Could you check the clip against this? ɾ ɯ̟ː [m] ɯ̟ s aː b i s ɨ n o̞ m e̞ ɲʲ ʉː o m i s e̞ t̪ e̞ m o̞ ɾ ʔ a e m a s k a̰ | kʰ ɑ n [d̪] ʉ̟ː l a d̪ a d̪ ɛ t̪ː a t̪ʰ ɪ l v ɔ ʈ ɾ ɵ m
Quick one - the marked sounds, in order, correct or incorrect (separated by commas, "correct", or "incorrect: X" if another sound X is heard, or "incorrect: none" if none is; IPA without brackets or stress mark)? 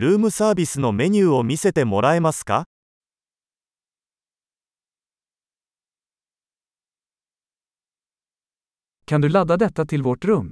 correct, correct